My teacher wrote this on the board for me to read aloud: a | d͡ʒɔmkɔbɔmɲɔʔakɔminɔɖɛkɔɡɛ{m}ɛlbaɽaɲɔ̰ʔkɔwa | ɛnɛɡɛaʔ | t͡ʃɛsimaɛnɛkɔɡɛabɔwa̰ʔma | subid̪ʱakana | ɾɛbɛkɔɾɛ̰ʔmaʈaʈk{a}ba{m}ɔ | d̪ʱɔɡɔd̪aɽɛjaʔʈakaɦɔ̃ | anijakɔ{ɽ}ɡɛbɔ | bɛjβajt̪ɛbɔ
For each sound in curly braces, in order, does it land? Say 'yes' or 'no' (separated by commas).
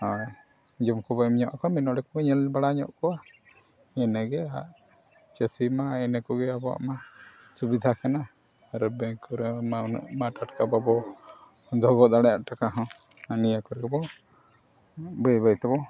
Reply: no, yes, no, no